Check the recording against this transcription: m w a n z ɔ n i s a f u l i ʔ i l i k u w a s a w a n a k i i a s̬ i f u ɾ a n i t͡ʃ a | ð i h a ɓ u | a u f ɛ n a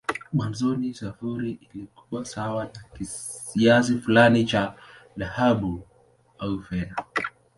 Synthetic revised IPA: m w a n z ɔ n i s a f u ɾ i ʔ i l i k u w a s a w a n a k i i a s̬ i f u l a n i t͡ʃ a | ð a h a ɓ u | a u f ɛ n a